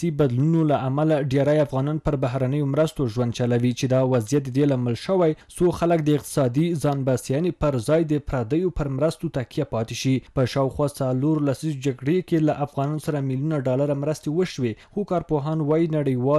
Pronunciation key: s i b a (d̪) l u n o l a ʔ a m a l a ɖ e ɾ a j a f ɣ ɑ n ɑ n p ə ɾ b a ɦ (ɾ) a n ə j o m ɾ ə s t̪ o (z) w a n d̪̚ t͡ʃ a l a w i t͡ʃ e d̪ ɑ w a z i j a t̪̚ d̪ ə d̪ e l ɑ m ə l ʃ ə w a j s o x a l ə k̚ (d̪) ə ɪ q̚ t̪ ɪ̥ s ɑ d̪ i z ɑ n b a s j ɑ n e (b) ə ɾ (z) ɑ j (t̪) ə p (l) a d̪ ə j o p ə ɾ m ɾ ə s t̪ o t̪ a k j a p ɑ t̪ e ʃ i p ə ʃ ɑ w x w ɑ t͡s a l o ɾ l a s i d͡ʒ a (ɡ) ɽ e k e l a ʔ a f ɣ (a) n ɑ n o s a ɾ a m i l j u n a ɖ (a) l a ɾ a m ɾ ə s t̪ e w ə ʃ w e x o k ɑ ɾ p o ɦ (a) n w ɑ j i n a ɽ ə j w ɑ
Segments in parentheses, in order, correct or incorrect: correct, correct, incorrect, correct, incorrect, correct, incorrect, incorrect, correct, incorrect, incorrect, incorrect

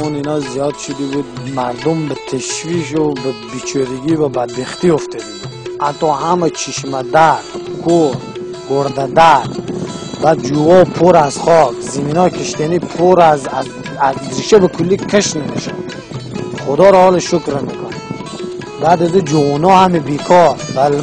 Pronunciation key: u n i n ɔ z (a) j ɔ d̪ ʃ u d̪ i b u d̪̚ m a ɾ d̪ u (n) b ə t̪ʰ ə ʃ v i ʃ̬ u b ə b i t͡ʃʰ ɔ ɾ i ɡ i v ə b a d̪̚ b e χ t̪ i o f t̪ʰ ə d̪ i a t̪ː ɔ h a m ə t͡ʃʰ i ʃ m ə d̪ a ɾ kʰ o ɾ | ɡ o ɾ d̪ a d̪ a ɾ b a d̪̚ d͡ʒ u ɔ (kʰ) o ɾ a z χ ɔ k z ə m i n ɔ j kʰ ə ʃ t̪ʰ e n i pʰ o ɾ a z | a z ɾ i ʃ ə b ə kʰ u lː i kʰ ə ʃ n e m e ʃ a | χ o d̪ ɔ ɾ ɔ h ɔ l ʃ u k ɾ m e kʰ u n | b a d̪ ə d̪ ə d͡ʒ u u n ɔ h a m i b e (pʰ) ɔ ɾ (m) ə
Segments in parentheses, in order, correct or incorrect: incorrect, incorrect, incorrect, incorrect, incorrect

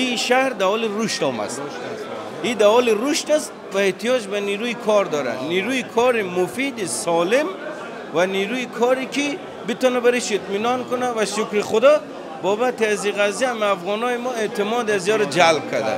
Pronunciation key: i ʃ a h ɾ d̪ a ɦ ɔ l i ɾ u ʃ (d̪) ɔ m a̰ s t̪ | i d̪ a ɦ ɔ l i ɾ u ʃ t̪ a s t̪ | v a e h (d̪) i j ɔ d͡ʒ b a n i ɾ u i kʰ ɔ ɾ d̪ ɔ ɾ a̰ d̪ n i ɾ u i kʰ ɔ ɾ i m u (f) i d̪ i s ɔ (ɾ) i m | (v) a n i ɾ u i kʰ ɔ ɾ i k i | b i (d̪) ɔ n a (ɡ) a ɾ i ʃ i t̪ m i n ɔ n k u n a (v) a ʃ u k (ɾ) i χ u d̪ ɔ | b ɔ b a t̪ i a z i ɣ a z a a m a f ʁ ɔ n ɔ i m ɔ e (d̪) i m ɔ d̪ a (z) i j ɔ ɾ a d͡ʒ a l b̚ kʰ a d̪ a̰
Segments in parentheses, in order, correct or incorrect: incorrect, incorrect, correct, incorrect, correct, incorrect, incorrect, correct, correct, incorrect, correct

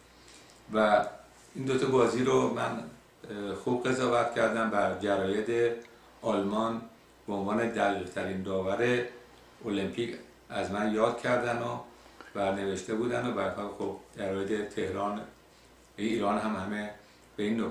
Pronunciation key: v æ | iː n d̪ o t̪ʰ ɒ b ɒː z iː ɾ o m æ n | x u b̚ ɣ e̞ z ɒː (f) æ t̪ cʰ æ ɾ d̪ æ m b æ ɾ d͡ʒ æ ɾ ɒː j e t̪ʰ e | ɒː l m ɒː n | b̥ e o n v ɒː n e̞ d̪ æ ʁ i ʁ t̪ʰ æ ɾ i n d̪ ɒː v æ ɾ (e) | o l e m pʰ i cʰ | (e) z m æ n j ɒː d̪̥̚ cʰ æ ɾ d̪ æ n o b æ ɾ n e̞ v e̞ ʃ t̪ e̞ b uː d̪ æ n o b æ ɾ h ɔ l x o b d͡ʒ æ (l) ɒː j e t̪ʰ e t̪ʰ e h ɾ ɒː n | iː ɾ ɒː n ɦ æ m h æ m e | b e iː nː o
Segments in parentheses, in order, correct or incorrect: incorrect, correct, incorrect, incorrect

